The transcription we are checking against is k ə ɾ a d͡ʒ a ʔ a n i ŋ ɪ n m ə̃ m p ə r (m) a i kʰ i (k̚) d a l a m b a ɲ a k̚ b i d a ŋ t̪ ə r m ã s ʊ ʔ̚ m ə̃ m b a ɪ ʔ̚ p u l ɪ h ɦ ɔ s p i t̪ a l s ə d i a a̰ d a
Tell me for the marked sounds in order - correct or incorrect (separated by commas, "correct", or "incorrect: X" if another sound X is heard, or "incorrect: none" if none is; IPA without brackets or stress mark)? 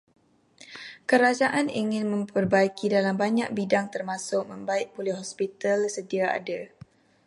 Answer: incorrect: b, incorrect: none